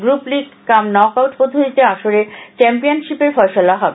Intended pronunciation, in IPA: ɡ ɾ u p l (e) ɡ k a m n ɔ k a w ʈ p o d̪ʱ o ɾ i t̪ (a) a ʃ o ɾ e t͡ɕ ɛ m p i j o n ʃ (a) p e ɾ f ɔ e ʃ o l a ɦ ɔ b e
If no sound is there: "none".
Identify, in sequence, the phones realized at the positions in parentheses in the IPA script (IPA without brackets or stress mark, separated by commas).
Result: i, e, i